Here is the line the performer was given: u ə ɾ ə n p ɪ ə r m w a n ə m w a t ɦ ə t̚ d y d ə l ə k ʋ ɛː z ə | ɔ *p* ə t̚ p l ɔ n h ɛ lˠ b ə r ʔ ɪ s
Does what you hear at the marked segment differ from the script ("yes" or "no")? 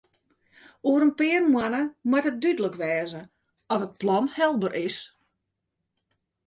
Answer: yes